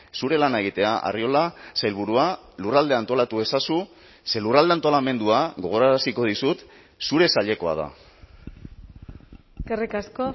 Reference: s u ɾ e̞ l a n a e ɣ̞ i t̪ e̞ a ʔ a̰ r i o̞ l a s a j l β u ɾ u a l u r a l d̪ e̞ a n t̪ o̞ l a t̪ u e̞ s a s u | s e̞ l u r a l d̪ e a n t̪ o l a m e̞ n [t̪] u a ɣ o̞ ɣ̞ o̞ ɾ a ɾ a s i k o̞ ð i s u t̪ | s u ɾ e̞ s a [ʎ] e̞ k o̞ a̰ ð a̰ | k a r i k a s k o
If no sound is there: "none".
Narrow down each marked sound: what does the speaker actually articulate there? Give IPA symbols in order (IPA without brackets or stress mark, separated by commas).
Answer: d̪, ʎ